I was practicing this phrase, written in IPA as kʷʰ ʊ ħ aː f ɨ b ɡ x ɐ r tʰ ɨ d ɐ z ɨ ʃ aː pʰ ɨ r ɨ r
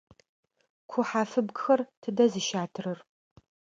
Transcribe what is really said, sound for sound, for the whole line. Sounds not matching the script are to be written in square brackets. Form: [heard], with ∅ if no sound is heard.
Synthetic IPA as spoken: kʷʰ ʊ ħ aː f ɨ b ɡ x ɐ r tʰ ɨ d ɐ z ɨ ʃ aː [tʰ] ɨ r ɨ r